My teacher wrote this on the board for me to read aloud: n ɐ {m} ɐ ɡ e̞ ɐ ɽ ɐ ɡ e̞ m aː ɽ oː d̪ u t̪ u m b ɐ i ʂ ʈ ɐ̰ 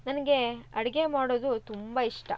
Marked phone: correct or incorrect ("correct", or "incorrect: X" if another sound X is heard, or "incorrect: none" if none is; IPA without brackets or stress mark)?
incorrect: n